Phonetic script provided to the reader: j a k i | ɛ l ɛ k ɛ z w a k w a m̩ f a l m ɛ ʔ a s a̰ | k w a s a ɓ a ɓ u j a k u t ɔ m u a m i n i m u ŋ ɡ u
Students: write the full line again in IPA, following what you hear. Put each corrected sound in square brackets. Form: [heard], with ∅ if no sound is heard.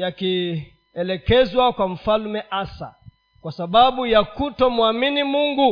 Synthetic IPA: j a k i | ɛ l ɛ k ɛ z w a k w a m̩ f a l m ɛ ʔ a s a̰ | k w a s a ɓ a ɓ u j a k u t ɔ m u a m i n i m u ŋ ɡ u